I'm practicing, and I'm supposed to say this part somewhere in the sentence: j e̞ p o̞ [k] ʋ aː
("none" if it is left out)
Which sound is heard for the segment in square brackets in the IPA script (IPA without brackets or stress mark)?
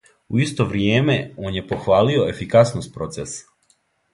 x